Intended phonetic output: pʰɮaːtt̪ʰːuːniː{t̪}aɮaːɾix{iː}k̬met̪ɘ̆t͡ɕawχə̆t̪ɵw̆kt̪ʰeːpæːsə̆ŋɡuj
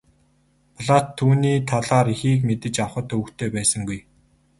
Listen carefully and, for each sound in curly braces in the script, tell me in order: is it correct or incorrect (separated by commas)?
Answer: incorrect, correct